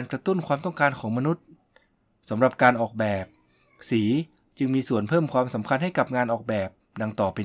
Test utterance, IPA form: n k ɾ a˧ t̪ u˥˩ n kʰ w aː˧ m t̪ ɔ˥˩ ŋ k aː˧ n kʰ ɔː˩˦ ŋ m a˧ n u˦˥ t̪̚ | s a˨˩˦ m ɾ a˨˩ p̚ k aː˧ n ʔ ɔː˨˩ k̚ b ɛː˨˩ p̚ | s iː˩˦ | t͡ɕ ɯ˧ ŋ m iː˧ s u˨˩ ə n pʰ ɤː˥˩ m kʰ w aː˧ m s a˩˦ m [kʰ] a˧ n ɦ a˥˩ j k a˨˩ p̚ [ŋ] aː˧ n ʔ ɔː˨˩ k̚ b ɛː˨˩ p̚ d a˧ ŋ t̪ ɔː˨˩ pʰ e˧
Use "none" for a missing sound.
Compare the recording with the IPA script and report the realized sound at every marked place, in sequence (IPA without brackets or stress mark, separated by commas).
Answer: kʰ, ŋ